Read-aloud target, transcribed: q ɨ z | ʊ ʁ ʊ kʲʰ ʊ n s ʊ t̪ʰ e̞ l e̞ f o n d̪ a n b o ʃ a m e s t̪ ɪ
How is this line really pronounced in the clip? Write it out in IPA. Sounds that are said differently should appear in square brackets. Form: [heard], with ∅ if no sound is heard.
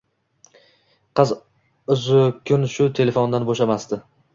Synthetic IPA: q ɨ z | ʊ [z] ʊ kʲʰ ʊ n [ʃ] ʊ t̪ʰ e̞ l e̞ f o n d̪ a n b o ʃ a m [a] s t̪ ɪ